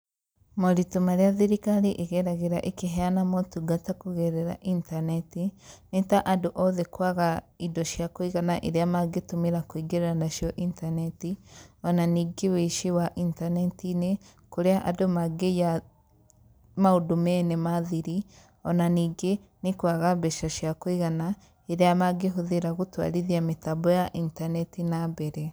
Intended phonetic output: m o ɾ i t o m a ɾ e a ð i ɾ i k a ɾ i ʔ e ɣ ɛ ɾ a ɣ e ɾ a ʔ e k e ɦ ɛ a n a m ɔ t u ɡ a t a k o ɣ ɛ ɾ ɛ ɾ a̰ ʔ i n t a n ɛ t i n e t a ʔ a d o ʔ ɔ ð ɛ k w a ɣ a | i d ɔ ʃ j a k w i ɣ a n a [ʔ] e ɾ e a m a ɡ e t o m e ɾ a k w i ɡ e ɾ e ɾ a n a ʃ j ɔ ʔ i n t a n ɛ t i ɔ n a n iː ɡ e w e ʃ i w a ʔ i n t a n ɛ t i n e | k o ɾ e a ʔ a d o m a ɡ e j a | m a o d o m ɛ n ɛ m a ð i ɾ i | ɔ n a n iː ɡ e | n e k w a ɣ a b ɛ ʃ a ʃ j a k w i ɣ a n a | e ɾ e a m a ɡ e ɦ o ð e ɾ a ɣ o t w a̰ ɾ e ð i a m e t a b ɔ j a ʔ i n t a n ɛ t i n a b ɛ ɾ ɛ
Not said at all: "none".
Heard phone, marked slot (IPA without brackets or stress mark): ʔ